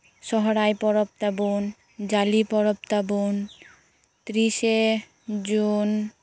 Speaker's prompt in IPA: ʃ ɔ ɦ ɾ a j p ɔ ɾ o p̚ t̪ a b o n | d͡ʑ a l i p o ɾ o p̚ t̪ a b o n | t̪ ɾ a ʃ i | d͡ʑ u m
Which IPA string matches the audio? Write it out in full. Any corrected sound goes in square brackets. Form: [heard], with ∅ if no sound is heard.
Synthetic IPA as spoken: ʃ ɔ ɦ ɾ a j p ɔ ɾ o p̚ t̪ a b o n | d͡ʑ a l i p [ɔ] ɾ o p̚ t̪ a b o n | t̪ ɾ [i] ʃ [e] | d͡ʑ u [n]